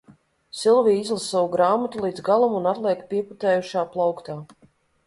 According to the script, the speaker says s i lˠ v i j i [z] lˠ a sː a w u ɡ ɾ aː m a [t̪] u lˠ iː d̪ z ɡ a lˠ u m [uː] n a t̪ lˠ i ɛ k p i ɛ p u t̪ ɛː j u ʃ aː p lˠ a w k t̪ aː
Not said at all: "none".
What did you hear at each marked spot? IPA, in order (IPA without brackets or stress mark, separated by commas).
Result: z, t̪, u